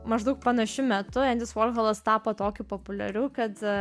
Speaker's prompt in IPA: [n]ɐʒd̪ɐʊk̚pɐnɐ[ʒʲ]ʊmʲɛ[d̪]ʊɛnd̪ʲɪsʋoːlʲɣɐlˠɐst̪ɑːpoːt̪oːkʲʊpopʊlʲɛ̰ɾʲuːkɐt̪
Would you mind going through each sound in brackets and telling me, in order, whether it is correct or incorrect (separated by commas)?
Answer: incorrect, incorrect, incorrect